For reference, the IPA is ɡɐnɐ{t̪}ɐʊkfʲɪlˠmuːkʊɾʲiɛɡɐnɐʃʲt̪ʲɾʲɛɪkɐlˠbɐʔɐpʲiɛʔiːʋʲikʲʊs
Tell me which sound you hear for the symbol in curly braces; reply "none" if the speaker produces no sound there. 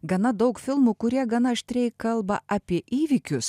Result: d̪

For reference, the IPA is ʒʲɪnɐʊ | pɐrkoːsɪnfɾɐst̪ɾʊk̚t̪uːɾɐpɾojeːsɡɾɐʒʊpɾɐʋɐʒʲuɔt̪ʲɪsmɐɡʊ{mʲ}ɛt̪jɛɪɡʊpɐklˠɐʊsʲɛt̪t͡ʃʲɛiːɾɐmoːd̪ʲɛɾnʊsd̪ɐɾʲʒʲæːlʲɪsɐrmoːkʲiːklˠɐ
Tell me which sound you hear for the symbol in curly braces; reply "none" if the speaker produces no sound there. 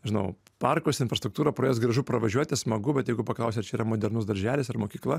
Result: bʲ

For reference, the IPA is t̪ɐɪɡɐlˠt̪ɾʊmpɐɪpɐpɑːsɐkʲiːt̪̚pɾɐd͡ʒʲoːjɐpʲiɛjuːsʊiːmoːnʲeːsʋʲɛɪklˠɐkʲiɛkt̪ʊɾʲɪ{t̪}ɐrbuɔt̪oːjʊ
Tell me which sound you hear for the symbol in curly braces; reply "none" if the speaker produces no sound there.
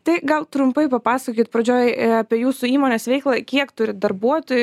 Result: d̪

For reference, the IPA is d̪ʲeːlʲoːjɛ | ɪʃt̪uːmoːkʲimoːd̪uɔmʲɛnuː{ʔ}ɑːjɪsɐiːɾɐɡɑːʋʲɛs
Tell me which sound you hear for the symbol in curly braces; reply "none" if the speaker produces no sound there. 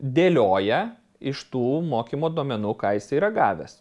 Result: k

